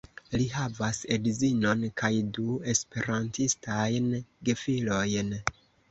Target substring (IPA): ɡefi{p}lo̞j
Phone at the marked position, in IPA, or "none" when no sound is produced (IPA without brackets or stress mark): none